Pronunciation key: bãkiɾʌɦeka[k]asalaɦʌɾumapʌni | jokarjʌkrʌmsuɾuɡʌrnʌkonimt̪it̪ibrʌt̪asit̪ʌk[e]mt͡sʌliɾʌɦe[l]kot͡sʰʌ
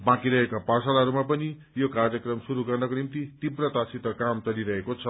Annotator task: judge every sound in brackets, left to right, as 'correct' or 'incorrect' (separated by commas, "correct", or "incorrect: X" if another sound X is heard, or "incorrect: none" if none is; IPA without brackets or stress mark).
incorrect: p, incorrect: a, incorrect: none